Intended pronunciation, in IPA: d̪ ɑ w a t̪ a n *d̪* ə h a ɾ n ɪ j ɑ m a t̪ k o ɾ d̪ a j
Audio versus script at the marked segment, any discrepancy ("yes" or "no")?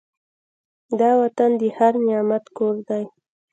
no